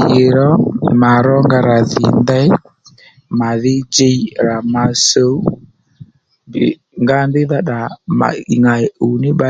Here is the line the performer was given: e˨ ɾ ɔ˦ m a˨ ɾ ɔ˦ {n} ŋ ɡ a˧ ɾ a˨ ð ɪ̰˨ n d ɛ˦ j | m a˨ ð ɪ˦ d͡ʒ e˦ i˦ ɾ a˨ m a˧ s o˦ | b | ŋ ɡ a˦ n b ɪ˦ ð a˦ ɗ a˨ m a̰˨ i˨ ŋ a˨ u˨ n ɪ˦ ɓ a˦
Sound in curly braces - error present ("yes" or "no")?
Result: yes